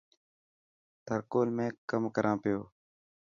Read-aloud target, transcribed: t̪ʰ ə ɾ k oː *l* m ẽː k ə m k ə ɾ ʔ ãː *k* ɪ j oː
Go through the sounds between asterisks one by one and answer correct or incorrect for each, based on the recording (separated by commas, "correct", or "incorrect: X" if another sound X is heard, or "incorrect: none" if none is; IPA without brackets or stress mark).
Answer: correct, incorrect: p